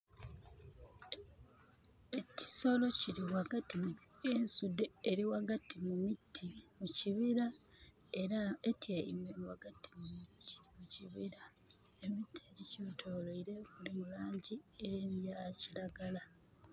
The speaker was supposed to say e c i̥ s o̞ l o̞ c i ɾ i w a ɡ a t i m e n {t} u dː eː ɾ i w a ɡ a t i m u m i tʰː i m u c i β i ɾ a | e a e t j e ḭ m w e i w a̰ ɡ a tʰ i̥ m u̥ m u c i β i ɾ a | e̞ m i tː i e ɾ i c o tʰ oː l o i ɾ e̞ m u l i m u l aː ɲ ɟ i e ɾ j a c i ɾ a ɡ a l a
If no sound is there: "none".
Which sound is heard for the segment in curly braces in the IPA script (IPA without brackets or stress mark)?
s